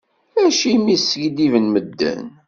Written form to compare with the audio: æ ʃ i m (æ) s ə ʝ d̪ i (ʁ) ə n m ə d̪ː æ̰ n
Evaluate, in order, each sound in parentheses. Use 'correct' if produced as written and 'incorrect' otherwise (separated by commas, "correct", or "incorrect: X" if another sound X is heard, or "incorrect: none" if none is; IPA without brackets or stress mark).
incorrect: i, incorrect: v